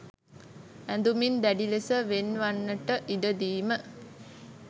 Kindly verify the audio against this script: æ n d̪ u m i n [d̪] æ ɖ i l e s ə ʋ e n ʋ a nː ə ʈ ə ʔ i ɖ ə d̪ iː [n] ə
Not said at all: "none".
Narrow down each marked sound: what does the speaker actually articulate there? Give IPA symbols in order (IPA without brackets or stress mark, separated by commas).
d̪, m